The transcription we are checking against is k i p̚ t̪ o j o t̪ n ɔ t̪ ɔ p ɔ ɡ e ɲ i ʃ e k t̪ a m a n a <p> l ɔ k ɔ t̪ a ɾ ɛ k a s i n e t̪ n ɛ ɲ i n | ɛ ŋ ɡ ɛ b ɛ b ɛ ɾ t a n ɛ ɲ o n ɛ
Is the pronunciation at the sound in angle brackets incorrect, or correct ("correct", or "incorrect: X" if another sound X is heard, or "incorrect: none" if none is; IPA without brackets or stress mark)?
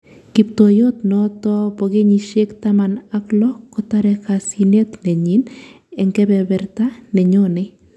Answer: incorrect: k